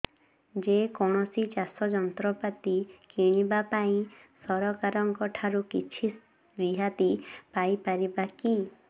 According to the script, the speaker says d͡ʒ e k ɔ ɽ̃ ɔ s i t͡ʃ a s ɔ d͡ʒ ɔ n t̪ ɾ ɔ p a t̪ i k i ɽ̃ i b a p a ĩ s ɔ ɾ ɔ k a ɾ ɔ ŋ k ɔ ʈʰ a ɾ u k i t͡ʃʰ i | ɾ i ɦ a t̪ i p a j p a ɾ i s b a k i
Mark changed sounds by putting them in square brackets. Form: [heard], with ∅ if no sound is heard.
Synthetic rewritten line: d͡ʒ e k ɔ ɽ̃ ɔ s i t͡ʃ a s ɔ d͡ʒ ɔ n t̪ ɾ ɔ p a t̪ i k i ɽ̃ i b a p a ĩ s ɔ ɾ ɔ k a ɾ ɔ ŋ k ɔ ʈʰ a ɾ u k i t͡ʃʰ i | ɾ i ɦ a t̪ i p a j p a ɾ i [∅] b a k i